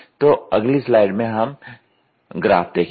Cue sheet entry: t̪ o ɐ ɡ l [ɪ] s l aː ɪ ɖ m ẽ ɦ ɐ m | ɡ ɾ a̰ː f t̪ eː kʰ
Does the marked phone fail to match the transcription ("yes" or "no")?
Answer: yes